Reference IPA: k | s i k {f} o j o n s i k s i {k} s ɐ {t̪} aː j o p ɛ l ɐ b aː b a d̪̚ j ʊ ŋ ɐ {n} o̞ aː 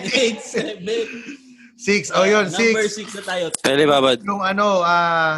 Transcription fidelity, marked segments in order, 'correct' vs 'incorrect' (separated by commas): incorrect, correct, correct, correct